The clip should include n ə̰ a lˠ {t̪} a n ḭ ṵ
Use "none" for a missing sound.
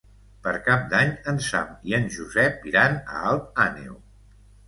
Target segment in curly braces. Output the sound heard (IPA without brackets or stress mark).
t̪